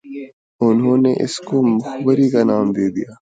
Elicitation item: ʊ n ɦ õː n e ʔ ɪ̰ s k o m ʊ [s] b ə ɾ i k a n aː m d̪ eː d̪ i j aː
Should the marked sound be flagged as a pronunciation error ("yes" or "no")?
yes